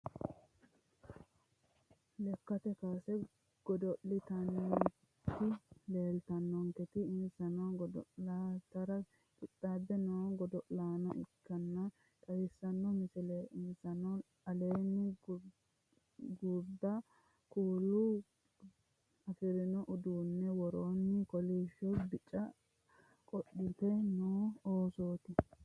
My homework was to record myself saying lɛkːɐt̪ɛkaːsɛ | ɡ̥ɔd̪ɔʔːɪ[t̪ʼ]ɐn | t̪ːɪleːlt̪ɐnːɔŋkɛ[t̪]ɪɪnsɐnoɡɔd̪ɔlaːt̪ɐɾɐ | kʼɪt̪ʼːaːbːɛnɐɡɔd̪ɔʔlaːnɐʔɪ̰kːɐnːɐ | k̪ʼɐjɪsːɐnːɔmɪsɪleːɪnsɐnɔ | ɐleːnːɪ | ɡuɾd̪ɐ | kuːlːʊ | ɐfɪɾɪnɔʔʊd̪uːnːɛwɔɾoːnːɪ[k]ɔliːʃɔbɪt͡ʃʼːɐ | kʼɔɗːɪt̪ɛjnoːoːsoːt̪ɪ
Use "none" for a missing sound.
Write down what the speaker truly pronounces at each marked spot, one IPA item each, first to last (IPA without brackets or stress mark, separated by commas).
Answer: t̪, t̪, k